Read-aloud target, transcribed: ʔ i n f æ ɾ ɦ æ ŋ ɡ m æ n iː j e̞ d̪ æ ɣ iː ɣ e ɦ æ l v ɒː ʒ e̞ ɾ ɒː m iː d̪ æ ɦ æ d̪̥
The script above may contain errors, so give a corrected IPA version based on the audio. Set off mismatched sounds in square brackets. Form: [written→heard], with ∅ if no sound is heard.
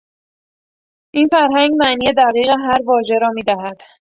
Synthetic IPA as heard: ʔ i n f æ ɾ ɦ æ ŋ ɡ m æ n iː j e̞ d̪ æ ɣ iː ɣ e ɦ æ [l→ɾ] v ɒː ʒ e̞ ɾ ɒː m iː d̪ æ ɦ æ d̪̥